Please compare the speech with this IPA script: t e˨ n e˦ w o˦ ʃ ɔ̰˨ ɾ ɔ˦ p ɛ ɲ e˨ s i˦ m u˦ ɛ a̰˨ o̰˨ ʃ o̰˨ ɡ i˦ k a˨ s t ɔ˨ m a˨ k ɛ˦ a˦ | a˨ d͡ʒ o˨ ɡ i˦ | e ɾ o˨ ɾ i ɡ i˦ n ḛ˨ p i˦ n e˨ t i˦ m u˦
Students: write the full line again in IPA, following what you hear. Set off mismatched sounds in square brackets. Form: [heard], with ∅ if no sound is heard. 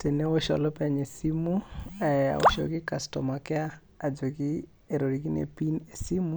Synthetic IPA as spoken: t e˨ n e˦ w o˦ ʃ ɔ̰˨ [l] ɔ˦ p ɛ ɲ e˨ s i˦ m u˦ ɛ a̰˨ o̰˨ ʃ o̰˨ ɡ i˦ k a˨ s t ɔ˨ m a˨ k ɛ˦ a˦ | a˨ d͡ʒ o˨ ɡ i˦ | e ɾ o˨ ɾ i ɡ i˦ n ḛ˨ p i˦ n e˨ [s] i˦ m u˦